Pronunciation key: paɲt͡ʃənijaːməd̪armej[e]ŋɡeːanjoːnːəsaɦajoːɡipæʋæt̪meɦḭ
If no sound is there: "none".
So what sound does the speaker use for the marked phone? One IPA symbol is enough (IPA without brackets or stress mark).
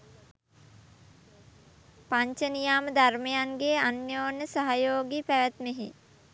a